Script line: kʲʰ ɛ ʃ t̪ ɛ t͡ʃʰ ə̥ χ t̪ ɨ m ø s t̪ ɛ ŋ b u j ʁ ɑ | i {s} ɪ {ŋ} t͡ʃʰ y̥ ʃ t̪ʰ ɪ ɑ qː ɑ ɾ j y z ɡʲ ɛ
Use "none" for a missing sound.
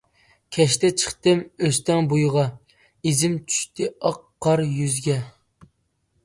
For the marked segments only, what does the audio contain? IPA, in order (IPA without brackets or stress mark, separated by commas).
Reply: z, m